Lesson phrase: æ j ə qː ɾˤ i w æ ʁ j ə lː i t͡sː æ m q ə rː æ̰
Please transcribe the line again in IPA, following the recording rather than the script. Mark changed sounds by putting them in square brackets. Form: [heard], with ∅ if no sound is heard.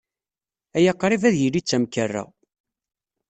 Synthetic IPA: æ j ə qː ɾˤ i [v] æ [ð] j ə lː i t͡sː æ m [k] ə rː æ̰